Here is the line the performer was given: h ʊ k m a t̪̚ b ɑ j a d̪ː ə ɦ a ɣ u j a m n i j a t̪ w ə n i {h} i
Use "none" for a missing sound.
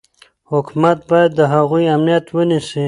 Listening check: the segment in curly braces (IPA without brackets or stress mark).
s